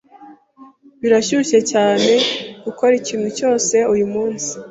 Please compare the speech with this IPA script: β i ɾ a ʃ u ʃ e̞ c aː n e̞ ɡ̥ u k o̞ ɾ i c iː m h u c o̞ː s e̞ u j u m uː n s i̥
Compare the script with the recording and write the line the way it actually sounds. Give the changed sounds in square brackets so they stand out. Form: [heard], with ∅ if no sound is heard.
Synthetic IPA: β i ɾ a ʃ u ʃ e̞ c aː n e̞ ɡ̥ u k o̞ ɾ i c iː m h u c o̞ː s e̞ u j u m uː n s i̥